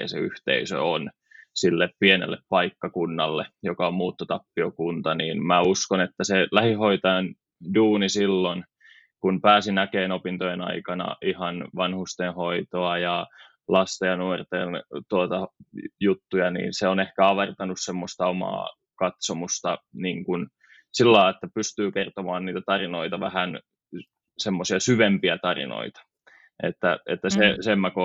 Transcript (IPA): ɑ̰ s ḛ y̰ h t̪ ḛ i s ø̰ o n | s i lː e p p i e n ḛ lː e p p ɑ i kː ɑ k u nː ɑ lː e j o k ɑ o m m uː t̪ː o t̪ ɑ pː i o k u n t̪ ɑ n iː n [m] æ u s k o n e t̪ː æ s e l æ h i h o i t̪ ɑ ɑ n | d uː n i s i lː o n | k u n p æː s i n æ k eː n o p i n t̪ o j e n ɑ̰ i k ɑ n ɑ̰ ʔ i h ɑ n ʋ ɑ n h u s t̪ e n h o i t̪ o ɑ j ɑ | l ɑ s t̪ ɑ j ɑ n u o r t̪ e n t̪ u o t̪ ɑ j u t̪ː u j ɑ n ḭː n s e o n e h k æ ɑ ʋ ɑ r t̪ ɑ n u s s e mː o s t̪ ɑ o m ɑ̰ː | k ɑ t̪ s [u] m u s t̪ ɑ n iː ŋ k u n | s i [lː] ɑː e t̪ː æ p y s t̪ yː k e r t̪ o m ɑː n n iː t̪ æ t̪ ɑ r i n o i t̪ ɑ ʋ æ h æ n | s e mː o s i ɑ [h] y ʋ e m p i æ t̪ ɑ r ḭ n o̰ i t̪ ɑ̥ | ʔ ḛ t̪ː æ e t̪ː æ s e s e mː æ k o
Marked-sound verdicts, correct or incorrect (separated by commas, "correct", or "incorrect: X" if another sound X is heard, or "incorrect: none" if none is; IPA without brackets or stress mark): correct, incorrect: o, correct, incorrect: s